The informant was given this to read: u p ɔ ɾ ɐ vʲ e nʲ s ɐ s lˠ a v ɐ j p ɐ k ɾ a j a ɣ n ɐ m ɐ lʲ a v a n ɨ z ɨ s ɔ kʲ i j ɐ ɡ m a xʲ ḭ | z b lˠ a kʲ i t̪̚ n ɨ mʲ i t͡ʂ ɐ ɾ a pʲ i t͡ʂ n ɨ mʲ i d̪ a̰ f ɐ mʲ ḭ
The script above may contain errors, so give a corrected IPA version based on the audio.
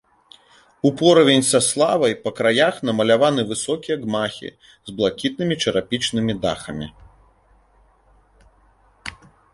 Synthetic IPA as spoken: u p ɔ ɾ ɐ vʲ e nʲ s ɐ s lˠ a v ɐ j p ɐ k ɾ a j a x n ɐ m ɐ lʲ a v a n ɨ v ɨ s ɔ kʲ i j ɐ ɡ m a xʲ ḭ | z b lˠ a kʲ i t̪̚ n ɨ mʲ i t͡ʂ ɐ ɾ a pʲ i t͡ʂ n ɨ mʲ i d̪ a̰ x ɐ mʲ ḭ